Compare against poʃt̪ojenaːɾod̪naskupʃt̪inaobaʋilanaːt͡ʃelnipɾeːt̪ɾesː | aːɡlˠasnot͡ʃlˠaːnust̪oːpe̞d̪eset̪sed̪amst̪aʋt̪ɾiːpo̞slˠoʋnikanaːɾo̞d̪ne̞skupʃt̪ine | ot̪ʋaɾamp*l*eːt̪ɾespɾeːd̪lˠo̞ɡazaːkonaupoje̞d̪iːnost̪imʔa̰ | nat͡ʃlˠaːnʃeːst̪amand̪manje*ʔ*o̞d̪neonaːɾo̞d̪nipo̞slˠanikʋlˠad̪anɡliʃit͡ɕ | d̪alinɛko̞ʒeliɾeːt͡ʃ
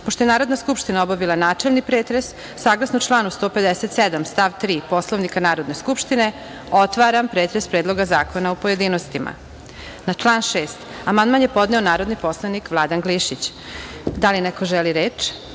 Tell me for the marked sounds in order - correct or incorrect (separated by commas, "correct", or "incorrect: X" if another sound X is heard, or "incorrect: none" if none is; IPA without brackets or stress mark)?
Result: incorrect: ɾ, incorrect: p